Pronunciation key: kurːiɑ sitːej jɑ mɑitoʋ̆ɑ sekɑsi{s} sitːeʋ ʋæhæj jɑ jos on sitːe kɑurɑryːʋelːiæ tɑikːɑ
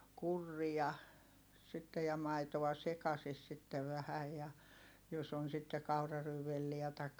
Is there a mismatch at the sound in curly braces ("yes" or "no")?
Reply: no